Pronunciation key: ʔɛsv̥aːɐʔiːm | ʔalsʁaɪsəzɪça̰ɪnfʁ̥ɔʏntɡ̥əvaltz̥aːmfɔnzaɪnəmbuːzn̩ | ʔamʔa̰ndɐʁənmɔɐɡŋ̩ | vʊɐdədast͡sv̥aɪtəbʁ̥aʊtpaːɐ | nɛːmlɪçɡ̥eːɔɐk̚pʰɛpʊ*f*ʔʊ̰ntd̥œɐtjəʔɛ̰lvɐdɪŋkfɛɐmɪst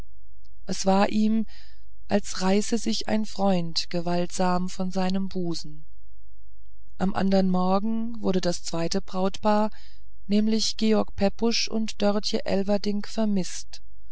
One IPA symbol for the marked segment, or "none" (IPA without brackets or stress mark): ʃ